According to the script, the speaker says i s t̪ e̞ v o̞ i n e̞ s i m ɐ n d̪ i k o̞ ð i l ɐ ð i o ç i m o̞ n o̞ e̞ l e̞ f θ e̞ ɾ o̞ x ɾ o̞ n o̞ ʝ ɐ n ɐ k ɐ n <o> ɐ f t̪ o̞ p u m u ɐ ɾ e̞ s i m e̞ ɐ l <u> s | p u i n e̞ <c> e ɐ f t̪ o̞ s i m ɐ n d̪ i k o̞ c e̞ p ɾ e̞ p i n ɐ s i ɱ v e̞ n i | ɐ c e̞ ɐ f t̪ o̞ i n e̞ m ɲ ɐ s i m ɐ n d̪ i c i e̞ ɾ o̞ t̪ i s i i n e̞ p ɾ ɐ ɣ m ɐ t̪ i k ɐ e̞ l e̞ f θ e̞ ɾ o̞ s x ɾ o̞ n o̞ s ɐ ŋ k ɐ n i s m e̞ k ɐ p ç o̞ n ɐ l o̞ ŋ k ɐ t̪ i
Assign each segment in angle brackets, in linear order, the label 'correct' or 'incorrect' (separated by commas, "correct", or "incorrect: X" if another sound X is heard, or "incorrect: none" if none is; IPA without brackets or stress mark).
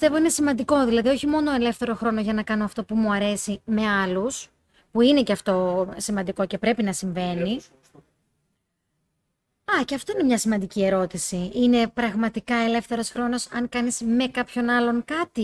correct, correct, correct